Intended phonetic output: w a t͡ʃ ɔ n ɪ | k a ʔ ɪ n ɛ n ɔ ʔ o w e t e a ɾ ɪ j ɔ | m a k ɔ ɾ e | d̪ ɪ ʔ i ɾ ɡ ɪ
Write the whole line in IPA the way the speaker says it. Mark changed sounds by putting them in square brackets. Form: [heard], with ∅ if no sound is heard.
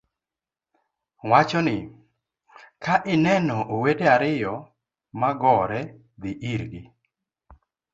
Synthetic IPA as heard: w a t͡ʃ ɔ n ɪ | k a ʔ ɪ n ɛ n ɔ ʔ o w e [d] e a ɾ ɪ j ɔ | m a [ɡ] ɔ ɾ [ɛ] | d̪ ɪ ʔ i ɾ ɡ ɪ